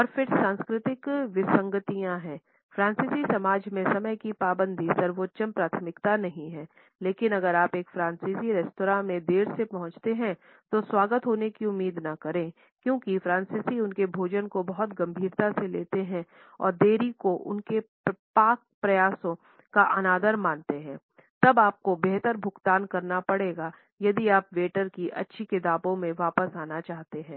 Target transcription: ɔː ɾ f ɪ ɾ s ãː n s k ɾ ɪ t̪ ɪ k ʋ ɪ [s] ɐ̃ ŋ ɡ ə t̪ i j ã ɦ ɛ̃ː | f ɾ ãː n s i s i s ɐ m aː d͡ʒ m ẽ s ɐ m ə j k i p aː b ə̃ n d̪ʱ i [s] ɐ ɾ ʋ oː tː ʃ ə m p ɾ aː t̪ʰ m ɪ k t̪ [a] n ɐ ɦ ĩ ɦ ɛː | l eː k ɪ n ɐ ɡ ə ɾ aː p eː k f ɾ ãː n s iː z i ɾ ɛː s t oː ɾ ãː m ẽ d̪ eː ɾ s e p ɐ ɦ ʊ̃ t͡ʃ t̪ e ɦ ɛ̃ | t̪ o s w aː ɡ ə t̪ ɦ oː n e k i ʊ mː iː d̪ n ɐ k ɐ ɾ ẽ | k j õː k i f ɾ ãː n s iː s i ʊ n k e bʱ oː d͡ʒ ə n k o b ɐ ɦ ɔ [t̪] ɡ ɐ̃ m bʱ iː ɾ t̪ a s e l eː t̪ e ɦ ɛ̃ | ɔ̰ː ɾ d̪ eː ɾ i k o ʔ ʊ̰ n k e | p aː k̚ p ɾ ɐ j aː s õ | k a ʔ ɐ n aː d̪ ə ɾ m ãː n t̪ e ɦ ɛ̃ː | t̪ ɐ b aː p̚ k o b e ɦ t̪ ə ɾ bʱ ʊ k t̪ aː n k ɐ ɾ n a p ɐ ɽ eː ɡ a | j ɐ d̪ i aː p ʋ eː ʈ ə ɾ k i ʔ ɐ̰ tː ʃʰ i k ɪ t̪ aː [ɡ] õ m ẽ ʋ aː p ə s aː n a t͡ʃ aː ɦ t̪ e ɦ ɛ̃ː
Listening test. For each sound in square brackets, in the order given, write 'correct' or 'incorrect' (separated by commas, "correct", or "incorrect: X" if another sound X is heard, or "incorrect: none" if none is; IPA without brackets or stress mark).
correct, correct, correct, correct, incorrect: b